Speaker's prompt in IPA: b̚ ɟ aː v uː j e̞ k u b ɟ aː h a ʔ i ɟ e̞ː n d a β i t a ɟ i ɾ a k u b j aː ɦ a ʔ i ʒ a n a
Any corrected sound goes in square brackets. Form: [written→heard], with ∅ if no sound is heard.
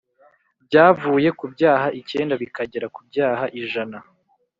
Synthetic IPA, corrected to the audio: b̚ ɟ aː v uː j e̞ k u b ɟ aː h a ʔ i [ɟ→c] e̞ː n d a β i [t→k] a ɟ [i→e] ɾ a k u b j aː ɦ a ʔ i ʒ a n a